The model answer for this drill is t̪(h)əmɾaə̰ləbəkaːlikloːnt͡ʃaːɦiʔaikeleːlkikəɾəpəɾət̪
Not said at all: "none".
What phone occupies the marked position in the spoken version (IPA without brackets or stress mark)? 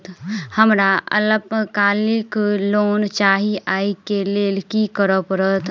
h